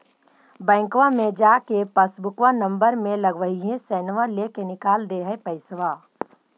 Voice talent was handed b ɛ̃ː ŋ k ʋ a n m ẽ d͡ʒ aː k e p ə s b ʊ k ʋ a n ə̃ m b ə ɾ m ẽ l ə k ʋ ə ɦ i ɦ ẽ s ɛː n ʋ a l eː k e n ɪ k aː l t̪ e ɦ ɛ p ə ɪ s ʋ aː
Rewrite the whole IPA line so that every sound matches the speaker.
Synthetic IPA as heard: b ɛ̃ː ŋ k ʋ a m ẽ d͡ʒ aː k e p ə s b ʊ k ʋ a n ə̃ m b ə ɾ m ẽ l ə ɡ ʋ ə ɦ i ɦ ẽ s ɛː n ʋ a l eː k e n ɪ k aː l d̪ e ɦ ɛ p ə ɪ s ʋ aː